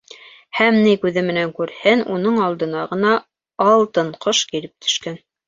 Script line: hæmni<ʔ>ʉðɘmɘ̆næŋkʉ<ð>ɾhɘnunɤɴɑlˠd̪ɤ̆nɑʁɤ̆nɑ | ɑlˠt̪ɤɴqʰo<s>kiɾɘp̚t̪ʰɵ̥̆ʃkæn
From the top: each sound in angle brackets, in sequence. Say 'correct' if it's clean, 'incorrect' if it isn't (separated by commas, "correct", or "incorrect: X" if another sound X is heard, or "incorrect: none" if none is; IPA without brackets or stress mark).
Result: incorrect: k, incorrect: none, incorrect: ʃ